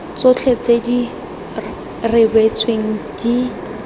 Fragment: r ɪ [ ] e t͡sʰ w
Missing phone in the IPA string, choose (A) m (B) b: B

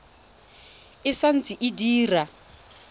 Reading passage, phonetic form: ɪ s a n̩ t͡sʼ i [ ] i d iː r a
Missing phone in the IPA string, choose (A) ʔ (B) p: A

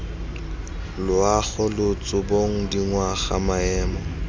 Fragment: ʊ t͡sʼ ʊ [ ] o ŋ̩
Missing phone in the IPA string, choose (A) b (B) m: A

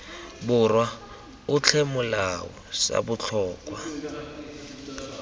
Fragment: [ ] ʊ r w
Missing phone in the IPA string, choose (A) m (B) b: B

